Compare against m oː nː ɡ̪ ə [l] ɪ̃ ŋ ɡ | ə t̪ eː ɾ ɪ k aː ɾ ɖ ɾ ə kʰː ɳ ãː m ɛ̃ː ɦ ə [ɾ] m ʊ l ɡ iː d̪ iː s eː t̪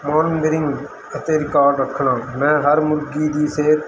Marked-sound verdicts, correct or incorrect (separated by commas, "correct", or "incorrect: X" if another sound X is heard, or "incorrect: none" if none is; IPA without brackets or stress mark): incorrect: ɾ, correct